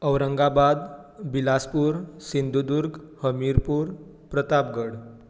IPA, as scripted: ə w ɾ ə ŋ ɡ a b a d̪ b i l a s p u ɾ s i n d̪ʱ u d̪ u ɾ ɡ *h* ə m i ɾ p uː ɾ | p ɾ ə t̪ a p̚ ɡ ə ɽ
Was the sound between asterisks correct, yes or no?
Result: yes